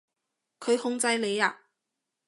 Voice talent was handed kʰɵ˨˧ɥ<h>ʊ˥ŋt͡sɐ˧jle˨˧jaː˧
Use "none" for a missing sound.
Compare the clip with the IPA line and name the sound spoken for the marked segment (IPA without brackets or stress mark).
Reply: h